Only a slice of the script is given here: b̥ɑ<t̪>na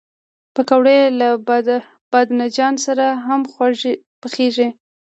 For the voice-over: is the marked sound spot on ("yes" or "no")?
no